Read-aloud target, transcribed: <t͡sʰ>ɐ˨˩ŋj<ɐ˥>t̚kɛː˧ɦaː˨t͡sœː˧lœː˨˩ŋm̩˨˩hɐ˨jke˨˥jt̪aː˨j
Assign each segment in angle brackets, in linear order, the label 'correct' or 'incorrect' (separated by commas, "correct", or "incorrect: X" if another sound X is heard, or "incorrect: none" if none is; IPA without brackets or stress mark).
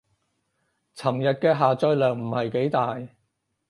correct, incorrect: ɐ˨